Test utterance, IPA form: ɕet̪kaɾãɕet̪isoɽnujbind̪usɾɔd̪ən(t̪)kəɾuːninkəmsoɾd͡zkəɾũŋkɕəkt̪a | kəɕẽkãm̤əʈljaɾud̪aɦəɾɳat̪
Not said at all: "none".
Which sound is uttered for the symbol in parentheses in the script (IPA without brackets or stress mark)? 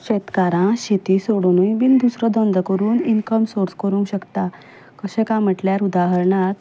d̪